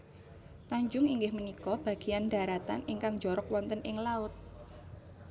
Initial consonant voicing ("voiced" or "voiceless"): voiceless